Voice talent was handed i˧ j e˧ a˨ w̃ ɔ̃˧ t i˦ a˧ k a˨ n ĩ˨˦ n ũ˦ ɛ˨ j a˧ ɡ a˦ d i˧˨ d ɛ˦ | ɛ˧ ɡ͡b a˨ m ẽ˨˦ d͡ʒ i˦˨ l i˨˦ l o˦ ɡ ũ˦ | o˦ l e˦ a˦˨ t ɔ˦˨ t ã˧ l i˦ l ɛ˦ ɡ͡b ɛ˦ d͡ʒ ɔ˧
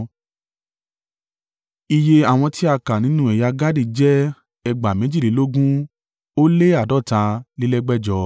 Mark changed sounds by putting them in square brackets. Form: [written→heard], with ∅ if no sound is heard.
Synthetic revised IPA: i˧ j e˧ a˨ w̃ ɔ̃˧ t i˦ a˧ k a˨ n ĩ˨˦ n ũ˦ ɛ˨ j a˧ ɡ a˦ d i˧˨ [d→d͡ʒ] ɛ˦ | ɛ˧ ɡ͡b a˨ m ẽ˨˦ d͡ʒ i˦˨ l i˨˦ l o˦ ɡ ũ˦ | o˦ l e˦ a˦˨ [t→d] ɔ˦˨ t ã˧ l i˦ l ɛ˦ ɡ͡b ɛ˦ d͡ʒ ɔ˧